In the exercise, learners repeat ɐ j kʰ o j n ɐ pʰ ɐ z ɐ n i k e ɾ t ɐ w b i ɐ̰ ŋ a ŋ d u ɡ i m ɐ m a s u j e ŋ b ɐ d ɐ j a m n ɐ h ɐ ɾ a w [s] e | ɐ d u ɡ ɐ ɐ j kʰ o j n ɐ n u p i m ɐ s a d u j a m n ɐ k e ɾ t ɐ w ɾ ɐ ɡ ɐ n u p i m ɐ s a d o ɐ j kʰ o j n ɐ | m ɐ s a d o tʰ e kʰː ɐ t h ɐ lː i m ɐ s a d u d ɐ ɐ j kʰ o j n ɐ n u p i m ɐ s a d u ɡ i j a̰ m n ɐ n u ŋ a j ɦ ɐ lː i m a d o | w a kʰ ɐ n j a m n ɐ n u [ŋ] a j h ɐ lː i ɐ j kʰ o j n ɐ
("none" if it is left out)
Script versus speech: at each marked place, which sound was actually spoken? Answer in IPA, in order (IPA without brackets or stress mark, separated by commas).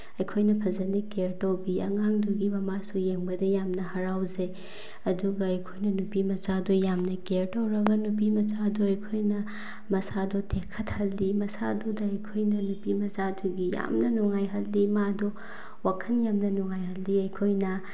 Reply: z, ŋ